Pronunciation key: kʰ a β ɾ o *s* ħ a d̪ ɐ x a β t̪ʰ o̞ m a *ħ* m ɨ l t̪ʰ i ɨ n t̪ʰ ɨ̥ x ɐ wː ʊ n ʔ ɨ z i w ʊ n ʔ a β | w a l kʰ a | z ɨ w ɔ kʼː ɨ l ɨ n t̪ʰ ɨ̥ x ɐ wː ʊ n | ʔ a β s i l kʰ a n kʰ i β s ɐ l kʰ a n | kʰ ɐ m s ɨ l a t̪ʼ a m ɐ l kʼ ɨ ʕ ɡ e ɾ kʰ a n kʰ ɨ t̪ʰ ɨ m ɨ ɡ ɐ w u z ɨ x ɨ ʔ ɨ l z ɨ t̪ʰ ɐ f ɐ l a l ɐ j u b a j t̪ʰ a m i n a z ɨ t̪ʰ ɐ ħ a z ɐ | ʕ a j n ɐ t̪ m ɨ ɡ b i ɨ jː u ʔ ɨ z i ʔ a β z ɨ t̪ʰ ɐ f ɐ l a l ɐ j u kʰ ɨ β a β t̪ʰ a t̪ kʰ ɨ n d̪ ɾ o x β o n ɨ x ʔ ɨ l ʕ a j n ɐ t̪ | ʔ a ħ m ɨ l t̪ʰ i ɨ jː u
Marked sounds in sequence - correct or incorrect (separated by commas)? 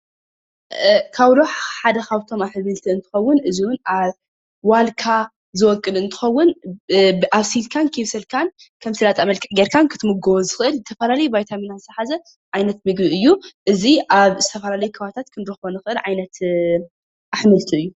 incorrect, correct